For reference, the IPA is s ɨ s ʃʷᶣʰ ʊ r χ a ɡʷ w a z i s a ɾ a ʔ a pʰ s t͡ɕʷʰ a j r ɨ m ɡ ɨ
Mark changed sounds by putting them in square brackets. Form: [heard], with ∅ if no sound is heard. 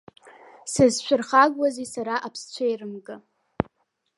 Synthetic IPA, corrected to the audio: s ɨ [z] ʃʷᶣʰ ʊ r χ a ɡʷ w a z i s a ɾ a ʔ a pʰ s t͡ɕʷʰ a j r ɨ m ɡ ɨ